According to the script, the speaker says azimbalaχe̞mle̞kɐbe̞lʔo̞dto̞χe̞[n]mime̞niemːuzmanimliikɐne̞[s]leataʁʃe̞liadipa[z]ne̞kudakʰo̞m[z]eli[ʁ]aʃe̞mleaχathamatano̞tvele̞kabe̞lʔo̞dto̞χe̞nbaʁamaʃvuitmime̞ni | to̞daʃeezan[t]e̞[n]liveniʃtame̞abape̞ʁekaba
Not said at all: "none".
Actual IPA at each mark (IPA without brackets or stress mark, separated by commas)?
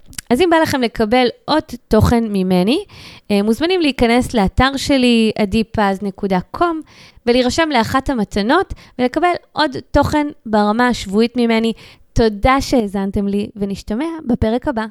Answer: n, s, z, v, ʁ, t, m